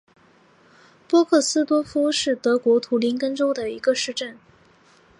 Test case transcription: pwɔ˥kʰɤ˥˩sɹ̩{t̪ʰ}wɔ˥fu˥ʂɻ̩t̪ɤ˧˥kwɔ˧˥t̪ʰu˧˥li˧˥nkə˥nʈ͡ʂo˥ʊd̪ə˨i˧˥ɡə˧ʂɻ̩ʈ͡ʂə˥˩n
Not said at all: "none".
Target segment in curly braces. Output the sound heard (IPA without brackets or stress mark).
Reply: t̪